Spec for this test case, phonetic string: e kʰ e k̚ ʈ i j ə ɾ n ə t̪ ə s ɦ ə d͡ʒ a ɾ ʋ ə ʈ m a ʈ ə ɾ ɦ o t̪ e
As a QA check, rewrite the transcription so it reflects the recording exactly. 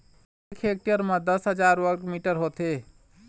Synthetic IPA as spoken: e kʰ e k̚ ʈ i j ə ɾ m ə d̪ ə s ɦ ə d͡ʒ a ɾ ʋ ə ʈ m i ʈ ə ɾ ɦ o t̪ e